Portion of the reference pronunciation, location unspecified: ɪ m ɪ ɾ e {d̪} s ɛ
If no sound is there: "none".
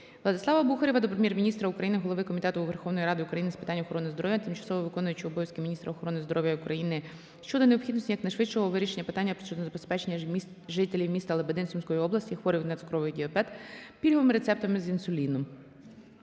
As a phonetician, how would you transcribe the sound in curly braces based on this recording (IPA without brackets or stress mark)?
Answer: t̪